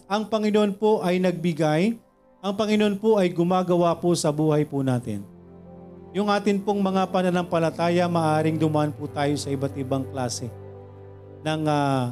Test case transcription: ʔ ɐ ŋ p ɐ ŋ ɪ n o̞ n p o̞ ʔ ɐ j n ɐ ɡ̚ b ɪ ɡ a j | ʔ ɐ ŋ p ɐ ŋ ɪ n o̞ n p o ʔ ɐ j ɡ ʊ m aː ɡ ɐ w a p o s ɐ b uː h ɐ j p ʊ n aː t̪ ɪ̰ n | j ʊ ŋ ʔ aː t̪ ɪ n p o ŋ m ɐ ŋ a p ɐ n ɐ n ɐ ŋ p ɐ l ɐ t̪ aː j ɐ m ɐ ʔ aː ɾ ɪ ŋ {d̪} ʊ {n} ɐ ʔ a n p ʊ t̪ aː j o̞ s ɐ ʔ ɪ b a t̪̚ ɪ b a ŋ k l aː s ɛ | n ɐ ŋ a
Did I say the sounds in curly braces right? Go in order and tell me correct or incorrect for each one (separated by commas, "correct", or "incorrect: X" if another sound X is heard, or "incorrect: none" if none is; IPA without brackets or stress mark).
correct, incorrect: m